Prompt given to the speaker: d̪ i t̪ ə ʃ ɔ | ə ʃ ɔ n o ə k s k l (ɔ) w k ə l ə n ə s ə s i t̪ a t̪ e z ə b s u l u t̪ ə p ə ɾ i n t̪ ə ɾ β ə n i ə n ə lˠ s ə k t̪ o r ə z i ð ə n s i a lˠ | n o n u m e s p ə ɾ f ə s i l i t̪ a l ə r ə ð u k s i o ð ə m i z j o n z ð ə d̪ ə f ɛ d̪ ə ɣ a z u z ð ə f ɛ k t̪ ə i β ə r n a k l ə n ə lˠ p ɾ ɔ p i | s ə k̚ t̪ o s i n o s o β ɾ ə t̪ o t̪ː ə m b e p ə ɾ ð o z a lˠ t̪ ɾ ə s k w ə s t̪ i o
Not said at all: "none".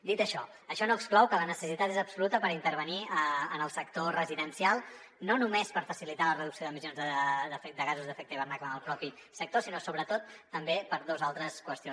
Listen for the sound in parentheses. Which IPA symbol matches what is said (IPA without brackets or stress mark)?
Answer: ɔ